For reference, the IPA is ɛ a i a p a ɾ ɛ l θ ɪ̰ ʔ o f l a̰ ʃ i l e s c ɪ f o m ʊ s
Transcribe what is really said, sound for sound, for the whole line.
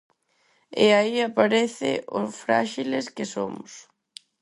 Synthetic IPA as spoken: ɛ a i a p a ɾ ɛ θ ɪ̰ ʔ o f ɾ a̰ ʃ i l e s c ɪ s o m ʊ s